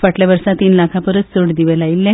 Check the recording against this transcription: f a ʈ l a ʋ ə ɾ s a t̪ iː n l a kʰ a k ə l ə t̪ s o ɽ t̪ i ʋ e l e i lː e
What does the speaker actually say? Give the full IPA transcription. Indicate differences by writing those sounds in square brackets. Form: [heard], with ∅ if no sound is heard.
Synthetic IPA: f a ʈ l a ʋ ə ɾ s a t̪ iː n l a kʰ a [p] ə [ɾ] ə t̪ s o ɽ [d̪] i ʋ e l [a] i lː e